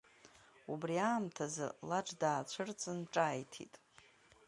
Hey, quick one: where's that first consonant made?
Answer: lips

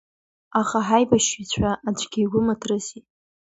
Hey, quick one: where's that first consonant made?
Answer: uvula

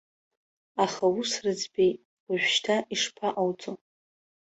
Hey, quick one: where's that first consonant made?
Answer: uvula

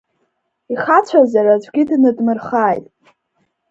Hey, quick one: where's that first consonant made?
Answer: uvula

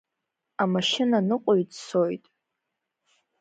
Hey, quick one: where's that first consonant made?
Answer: lips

